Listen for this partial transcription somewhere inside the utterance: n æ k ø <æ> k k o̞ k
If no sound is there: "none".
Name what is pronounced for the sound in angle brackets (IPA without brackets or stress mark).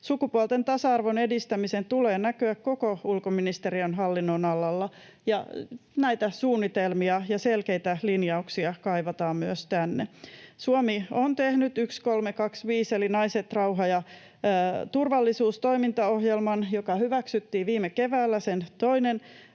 æ